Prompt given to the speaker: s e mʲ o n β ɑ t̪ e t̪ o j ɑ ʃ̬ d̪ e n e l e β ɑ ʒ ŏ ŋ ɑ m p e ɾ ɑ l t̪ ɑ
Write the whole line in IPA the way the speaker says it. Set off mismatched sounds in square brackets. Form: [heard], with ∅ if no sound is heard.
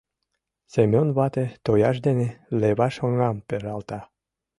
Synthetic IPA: s e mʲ o n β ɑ t̪ e t̪ o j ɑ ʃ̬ d̪ e n e l e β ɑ [ʃ] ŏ ŋ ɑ m p e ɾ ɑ l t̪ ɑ